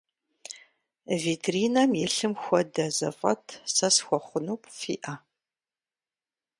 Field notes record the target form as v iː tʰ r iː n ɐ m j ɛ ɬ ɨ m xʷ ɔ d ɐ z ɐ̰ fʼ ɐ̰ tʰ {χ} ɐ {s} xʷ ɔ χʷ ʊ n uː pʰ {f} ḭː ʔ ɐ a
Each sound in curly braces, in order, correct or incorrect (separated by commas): incorrect, correct, correct